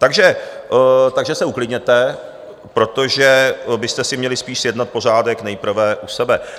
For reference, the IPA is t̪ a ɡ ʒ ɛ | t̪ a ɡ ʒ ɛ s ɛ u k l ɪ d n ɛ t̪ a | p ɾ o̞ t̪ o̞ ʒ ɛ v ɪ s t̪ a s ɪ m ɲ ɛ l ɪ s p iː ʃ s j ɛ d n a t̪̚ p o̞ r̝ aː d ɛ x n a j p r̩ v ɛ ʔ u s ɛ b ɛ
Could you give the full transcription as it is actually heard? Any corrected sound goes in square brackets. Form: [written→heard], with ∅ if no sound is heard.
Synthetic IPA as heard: t̪ a ɡ ʒ ɛ | t̪ a ɡ ʒ ɛ s ɛ u k l ɪ d [n→ɲ] ɛ t̪ [a→ɛ] | p ɾ o̞ t̪ o̞ ʒ ɛ [v→b] ɪ s t̪ [a→ɛ] s ɪ m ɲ ɛ l ɪ s p iː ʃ s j ɛ d n a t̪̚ p o̞ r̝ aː d ɛ [x→k] n [a→ɛ] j p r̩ v ɛ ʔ u s ɛ b ɛ